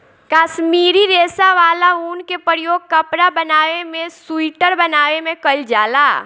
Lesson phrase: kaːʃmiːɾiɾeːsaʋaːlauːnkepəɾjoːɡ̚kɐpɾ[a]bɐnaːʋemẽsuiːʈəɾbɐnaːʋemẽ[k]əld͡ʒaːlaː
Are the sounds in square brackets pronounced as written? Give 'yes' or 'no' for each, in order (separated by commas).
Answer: yes, yes